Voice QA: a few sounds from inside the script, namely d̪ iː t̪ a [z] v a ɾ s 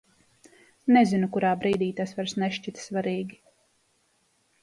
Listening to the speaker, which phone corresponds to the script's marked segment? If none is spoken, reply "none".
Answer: s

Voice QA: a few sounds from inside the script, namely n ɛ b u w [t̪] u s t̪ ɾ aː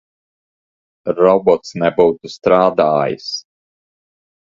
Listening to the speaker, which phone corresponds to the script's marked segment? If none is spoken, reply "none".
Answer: t̪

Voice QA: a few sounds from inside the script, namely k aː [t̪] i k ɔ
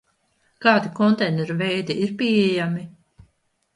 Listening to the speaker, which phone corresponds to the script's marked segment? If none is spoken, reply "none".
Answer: d̪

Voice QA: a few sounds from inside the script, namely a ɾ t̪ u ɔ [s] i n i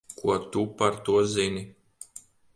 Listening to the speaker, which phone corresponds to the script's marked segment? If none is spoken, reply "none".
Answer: z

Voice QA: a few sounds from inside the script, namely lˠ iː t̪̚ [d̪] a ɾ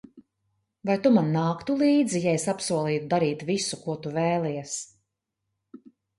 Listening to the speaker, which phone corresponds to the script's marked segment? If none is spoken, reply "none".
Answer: d̪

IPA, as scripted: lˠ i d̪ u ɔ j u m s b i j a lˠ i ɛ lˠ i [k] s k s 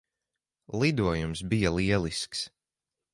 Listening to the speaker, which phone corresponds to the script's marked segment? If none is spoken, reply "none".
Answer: none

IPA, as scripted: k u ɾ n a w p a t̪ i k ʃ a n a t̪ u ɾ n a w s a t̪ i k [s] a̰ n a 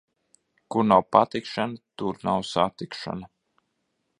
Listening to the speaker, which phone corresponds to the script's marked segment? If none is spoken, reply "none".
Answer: ʃ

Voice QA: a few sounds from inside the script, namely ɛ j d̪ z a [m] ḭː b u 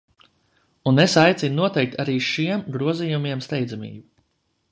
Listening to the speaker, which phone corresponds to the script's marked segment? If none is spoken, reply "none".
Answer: m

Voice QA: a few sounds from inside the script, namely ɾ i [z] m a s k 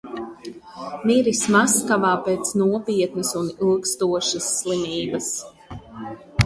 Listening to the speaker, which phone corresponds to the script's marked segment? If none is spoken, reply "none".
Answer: s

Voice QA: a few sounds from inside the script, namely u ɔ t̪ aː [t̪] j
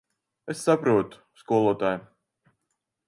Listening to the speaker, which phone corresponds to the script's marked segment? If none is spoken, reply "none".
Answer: none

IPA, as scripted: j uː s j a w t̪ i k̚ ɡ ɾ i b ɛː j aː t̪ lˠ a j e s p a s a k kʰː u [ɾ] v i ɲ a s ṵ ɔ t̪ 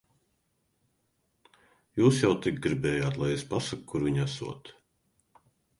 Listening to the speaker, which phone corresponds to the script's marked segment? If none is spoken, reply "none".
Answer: ɾ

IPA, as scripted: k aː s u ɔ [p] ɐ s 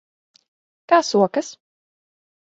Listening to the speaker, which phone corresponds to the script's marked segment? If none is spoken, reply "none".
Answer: k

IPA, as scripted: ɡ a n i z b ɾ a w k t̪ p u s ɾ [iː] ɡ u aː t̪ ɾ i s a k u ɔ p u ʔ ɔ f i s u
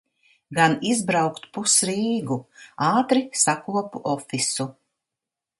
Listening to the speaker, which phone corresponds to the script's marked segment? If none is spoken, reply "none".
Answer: iː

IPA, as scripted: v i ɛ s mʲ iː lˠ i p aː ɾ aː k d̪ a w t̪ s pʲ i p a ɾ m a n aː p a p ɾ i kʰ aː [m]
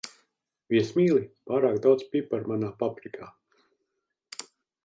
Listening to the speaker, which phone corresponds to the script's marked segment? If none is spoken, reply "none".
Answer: none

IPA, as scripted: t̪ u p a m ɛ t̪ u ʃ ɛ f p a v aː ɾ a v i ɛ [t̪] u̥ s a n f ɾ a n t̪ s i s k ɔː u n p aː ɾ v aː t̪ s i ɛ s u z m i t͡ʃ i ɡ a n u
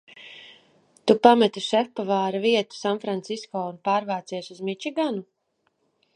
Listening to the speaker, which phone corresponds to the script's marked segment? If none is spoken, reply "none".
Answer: t̪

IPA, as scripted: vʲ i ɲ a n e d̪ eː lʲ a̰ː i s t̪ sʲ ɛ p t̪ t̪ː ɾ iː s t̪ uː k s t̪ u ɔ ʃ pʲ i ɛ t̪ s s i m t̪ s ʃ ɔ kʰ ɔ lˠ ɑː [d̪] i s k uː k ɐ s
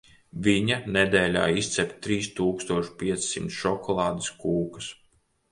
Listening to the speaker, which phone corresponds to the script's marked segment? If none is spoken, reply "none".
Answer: d̪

